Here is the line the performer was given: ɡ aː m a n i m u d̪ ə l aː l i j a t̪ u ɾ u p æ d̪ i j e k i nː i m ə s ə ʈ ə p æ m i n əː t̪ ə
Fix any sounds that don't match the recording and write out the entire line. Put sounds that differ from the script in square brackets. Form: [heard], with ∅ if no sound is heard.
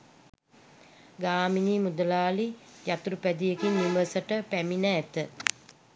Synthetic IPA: ɡ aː m [i] n i m u d̪ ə l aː l i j a t̪ u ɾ u p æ d̪ i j e k i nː i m ə s ə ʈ ə p æ m i n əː t̪ ə